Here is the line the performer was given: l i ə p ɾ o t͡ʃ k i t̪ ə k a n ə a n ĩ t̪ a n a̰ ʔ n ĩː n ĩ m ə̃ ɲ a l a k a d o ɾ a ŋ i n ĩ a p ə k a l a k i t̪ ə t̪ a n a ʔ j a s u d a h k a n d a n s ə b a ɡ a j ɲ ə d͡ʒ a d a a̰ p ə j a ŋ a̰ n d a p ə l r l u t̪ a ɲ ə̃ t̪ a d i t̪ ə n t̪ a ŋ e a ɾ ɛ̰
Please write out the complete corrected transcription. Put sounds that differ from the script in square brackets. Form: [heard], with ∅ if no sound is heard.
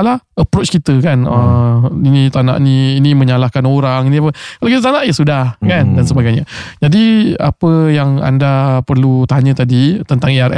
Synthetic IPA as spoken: l [a] ə p ɾ o t͡ʃ k i t̪ ə k a n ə [i] n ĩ t̪ a n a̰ ʔ n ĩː n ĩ m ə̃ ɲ a l a k a [n] o ɾ a ŋ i n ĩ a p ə k a l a k i t̪ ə t̪ a n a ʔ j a s u d a h k a n d a n s ə b a ɡ a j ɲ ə d͡ʒ a d [i] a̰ p ə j a ŋ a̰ n d a p ə [∅] r l u t̪ a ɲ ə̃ t̪ a d i t̪ ə n t̪ a ŋ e a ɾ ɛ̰